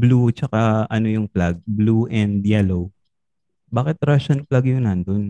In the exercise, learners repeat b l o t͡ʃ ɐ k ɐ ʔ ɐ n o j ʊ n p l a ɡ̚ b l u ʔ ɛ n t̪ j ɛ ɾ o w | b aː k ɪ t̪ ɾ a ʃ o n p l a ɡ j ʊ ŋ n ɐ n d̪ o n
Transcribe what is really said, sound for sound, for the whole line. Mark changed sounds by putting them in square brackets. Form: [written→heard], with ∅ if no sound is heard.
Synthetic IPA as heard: b l [o→u] t͡ʃ ɐ k [ɐ→a] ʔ ɐ n o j ʊ [n→ŋ] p l a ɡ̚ b l u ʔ ɛ n [t̪→d̪] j ɛ [ɾ→l] o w | b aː k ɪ t̪ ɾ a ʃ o n p l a ɡ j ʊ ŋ n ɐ n d̪ o n